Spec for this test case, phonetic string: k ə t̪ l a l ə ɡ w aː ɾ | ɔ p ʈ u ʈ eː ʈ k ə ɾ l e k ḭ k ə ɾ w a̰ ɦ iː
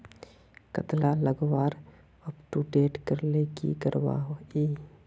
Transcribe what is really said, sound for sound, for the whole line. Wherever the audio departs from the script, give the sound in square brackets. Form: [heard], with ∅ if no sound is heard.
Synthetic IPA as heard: k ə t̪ l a l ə ɡ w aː ɾ | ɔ p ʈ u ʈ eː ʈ k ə ɾ l e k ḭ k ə ɾ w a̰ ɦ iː